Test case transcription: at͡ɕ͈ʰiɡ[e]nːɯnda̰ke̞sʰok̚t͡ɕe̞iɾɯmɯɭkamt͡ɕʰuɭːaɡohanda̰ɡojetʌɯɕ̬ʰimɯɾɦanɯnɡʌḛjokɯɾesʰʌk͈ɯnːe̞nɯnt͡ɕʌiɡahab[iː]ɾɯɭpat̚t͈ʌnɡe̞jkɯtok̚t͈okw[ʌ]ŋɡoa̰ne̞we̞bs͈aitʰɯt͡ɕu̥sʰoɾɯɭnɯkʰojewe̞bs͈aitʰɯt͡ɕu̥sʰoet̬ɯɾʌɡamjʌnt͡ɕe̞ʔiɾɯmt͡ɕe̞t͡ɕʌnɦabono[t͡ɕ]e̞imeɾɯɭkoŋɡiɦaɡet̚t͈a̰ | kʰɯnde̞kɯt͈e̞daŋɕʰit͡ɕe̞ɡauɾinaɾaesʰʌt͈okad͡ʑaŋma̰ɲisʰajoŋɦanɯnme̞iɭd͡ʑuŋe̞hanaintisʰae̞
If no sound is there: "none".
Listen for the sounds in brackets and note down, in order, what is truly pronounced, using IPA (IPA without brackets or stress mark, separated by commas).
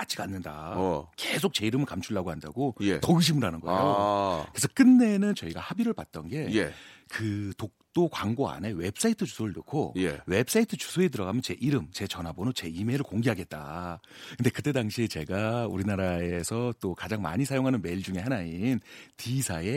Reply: a, i, a, t͡ɕ